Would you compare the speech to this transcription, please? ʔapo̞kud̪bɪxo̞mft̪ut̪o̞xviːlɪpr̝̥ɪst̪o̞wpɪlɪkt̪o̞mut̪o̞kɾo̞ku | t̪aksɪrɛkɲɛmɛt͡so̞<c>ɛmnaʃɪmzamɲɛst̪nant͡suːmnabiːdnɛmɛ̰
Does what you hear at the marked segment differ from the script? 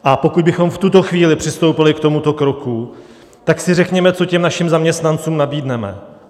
no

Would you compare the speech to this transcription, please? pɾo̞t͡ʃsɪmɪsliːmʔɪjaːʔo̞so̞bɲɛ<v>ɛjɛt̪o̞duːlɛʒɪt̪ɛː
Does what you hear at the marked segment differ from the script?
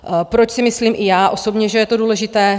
yes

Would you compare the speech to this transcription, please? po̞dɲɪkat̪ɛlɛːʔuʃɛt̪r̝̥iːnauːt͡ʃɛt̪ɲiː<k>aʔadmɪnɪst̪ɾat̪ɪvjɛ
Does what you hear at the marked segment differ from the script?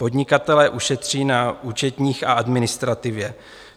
yes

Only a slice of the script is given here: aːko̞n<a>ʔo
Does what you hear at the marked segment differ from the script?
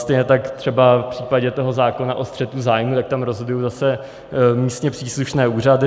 no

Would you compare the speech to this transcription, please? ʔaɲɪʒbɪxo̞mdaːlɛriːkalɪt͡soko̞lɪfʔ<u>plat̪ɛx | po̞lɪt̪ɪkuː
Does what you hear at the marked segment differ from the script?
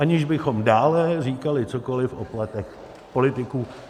yes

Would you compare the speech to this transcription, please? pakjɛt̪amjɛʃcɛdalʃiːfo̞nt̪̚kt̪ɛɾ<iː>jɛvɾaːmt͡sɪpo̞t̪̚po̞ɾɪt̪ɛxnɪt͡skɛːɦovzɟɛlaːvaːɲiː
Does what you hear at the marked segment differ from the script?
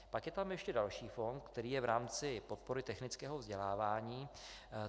no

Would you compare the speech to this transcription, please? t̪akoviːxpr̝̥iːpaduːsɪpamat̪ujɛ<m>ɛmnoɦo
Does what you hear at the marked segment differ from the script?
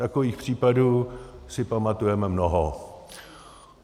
no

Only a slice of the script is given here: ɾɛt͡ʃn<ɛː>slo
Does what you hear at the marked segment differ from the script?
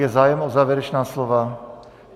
yes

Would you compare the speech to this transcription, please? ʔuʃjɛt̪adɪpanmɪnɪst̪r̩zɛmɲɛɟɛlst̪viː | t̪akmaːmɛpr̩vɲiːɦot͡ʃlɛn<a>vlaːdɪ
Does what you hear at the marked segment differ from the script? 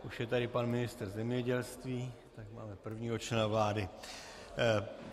no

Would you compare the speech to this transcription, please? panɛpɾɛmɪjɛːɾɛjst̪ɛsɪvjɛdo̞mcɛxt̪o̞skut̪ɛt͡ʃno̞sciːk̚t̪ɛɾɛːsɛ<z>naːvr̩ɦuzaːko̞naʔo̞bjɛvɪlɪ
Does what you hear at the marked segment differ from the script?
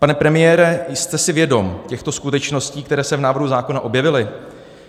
yes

